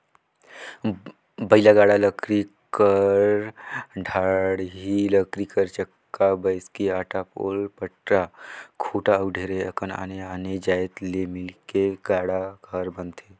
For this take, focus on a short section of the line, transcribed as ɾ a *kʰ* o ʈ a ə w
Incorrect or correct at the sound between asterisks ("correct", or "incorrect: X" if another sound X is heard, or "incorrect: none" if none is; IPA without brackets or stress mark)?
correct